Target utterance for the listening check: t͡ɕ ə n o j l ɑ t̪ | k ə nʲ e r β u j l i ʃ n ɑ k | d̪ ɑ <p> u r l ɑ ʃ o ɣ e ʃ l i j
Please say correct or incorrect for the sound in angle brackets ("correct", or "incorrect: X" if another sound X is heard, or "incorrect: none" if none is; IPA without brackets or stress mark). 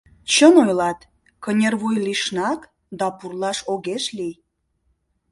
correct